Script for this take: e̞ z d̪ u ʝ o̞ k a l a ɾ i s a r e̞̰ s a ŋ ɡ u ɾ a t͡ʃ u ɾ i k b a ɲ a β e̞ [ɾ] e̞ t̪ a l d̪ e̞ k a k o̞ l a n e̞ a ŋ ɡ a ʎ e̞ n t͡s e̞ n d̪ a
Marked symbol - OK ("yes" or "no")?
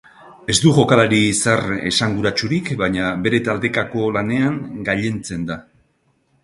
yes